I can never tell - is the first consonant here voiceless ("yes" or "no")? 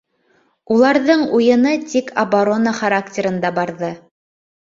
no